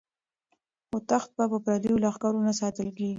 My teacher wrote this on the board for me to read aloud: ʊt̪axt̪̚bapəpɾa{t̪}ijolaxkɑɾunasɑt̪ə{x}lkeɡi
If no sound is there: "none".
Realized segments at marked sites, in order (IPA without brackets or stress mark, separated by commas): d̪, none